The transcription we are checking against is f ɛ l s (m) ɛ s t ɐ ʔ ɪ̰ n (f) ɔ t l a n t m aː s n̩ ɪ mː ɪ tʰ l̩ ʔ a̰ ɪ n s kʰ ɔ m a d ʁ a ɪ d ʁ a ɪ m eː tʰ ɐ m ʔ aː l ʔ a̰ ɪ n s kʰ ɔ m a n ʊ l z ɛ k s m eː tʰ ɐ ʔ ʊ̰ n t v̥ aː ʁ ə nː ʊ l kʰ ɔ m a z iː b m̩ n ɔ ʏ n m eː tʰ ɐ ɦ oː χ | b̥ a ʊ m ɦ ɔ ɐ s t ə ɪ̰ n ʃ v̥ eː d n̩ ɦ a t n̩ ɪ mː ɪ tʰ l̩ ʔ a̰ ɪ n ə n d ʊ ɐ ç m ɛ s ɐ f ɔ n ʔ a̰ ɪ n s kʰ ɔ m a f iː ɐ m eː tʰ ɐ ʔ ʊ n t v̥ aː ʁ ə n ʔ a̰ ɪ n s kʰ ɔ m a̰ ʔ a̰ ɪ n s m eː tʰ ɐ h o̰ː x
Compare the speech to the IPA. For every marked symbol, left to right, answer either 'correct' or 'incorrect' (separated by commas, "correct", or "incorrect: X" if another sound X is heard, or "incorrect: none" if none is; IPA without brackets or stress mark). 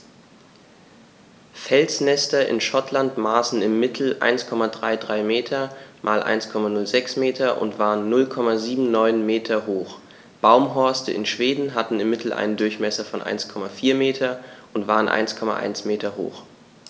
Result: incorrect: n, incorrect: ʃ